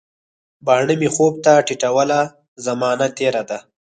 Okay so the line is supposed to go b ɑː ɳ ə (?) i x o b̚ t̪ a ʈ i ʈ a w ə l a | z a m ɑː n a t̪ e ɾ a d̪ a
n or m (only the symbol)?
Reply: m